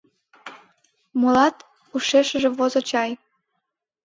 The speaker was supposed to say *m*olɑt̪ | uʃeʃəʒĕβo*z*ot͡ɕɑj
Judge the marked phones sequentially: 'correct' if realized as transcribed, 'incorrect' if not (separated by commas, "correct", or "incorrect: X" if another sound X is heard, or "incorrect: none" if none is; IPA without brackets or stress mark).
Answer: correct, correct